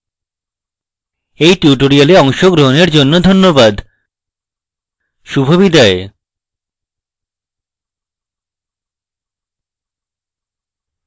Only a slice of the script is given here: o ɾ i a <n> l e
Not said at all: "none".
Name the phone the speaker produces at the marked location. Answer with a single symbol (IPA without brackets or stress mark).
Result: none